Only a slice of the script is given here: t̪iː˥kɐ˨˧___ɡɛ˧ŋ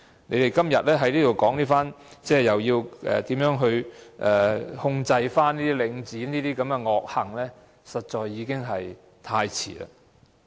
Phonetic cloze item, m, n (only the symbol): m